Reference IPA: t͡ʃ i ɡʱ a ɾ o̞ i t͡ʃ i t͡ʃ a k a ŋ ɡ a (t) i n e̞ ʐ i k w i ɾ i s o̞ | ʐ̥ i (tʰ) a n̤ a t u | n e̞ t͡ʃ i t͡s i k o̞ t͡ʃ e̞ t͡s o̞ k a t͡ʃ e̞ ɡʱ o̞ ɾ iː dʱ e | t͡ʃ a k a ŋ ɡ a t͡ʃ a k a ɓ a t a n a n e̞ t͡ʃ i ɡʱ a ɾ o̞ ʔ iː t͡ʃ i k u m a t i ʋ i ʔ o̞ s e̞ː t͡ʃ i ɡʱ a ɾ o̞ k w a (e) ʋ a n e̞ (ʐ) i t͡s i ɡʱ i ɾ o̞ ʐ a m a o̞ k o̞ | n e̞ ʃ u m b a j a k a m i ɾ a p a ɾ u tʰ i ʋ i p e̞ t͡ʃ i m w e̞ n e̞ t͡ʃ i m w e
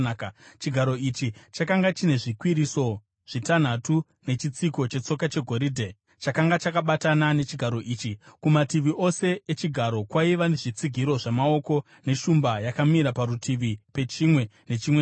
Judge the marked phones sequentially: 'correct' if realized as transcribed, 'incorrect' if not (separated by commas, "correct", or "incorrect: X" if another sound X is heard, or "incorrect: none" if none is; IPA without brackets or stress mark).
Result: incorrect: t͡ʃ, incorrect: t, incorrect: i, correct